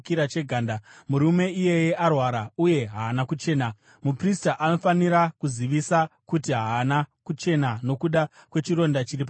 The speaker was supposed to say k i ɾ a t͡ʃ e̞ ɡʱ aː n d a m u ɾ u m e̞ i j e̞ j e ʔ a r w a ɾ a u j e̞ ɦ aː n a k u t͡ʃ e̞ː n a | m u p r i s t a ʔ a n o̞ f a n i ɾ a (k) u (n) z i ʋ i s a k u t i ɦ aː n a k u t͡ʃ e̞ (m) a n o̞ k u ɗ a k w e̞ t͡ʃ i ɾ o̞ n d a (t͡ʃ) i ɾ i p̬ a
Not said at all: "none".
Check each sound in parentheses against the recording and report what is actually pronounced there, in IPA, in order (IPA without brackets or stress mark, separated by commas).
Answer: k, none, n, t͡ʃ